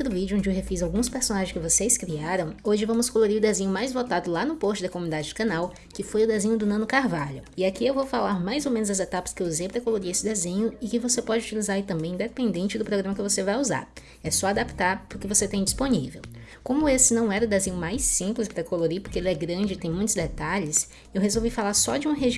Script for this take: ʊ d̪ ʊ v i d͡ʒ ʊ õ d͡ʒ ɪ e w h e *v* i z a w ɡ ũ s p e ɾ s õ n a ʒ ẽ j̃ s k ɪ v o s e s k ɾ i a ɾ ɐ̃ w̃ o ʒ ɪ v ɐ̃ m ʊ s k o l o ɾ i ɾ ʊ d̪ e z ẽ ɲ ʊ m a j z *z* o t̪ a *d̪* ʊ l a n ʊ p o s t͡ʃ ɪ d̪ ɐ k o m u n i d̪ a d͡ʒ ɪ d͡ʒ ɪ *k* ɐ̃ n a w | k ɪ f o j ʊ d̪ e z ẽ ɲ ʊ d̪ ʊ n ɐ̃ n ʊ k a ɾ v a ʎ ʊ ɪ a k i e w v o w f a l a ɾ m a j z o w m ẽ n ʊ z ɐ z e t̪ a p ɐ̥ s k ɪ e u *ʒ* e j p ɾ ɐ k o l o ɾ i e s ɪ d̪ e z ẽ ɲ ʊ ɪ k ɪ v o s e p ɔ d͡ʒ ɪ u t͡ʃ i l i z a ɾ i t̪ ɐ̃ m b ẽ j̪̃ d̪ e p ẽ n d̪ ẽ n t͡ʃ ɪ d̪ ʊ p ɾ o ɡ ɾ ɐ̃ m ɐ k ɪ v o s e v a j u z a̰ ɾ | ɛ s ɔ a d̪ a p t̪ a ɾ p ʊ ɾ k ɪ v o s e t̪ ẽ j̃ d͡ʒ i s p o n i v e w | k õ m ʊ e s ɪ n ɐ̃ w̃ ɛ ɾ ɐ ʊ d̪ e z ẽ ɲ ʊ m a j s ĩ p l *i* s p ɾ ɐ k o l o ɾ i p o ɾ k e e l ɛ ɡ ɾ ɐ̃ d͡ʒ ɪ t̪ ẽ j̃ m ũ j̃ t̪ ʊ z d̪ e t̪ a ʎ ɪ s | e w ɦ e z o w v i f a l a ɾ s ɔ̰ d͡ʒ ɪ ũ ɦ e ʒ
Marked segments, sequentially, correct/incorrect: incorrect, incorrect, correct, correct, incorrect, incorrect

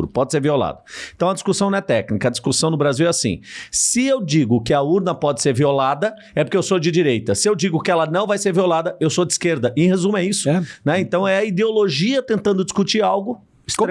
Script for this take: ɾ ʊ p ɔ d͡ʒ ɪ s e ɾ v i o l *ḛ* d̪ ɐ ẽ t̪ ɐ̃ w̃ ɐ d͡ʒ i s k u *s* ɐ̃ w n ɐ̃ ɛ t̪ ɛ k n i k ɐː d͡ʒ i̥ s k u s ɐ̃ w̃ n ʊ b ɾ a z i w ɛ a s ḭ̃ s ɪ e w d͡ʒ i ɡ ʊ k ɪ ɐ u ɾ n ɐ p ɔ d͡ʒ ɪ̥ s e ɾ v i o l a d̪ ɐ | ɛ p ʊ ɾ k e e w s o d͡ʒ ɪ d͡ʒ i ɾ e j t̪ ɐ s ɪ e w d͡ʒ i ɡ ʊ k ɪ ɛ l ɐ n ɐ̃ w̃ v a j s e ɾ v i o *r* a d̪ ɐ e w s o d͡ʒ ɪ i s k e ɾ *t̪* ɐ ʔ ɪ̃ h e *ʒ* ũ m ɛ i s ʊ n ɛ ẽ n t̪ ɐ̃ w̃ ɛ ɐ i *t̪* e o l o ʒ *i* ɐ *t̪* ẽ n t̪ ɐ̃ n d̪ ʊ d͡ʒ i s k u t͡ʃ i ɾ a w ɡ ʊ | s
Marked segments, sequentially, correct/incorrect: incorrect, correct, incorrect, incorrect, incorrect, incorrect, correct, correct

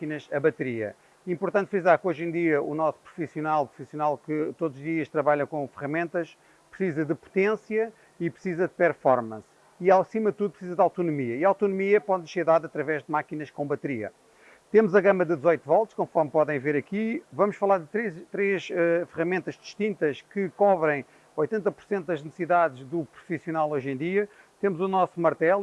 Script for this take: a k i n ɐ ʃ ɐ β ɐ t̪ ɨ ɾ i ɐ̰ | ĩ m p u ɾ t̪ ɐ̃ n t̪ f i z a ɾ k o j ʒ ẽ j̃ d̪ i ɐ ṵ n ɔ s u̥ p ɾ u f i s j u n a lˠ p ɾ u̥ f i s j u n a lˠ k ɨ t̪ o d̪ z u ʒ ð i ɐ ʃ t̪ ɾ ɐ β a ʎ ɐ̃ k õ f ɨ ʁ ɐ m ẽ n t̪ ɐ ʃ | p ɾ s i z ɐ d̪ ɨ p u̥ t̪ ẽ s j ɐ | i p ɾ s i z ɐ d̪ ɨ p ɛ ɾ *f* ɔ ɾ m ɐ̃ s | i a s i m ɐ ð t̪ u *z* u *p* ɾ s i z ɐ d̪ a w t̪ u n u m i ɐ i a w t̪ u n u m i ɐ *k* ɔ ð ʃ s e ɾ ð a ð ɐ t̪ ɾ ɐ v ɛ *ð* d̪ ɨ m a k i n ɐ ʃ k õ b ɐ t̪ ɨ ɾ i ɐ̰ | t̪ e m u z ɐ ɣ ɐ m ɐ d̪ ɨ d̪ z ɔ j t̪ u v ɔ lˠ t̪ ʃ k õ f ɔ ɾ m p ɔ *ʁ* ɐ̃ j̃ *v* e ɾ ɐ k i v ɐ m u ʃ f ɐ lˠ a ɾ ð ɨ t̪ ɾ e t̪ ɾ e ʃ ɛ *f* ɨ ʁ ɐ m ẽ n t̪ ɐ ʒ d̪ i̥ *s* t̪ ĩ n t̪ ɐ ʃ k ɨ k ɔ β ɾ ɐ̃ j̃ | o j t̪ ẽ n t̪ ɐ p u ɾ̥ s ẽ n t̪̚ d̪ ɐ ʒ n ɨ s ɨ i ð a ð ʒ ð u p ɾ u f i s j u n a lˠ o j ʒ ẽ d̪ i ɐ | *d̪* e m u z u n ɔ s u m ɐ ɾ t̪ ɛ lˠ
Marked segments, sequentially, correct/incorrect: correct, incorrect, correct, incorrect, incorrect, incorrect, correct, correct, incorrect, incorrect

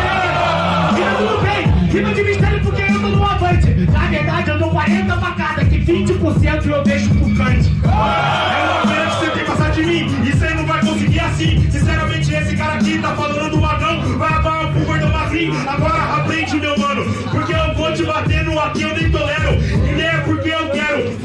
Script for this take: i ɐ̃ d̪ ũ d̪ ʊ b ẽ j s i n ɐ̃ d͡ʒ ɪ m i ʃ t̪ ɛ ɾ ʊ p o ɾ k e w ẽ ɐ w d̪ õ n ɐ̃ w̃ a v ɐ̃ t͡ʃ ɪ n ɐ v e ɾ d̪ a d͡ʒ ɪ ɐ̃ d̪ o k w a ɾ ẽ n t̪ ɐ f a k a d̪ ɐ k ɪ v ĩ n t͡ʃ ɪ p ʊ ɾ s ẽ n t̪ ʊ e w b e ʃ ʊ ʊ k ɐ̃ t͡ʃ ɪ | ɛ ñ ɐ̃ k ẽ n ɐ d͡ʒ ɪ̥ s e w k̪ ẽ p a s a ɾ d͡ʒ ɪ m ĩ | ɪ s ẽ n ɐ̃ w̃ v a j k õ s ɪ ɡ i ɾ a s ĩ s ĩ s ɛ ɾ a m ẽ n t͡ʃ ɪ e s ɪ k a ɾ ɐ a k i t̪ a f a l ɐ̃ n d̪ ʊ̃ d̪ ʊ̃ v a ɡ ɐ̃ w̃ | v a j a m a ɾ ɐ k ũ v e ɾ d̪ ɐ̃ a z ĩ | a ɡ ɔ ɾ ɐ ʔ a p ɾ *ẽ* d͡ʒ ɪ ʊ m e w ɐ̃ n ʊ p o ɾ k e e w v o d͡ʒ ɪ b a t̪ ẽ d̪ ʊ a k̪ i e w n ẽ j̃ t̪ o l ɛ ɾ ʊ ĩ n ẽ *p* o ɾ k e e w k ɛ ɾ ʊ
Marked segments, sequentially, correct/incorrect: correct, correct

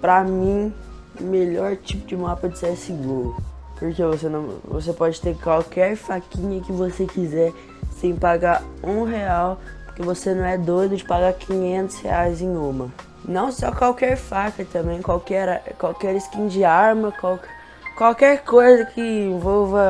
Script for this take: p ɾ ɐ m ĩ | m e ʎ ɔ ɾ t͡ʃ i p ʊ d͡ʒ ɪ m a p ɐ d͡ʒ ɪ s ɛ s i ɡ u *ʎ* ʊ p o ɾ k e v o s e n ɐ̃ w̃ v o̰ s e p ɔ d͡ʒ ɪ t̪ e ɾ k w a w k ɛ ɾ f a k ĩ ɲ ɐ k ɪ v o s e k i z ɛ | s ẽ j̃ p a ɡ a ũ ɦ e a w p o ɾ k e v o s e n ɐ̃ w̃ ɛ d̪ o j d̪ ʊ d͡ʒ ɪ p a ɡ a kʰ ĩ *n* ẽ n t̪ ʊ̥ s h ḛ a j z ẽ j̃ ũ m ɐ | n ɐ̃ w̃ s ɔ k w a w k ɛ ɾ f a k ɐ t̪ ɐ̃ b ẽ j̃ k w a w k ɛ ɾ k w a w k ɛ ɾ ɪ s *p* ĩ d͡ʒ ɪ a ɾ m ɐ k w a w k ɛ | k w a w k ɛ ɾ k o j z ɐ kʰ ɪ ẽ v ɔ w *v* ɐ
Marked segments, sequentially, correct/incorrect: incorrect, incorrect, incorrect, correct

